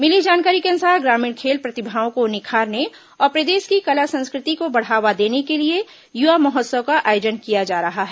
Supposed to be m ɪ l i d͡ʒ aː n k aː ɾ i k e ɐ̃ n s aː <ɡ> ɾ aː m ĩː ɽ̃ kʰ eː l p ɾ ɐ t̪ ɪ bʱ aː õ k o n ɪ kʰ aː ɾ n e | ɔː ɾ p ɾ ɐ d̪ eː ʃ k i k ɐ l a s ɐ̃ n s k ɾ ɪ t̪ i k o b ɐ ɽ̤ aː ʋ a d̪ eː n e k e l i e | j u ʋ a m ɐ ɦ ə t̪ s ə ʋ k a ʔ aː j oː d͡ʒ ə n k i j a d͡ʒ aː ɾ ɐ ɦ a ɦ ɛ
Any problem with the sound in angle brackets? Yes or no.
no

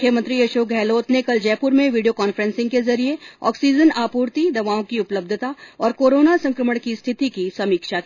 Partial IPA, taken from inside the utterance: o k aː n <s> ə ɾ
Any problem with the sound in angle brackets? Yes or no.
yes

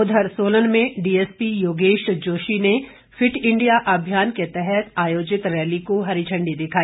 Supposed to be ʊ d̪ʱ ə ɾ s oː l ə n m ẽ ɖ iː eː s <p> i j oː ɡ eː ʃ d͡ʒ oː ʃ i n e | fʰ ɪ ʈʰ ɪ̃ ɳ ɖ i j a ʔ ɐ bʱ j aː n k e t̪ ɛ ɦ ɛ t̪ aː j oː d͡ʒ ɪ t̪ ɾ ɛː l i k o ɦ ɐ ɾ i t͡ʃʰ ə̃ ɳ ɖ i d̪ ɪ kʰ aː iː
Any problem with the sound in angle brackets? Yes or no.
no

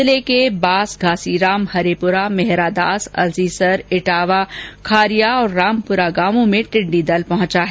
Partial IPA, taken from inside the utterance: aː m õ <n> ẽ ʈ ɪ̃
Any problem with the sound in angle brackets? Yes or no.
yes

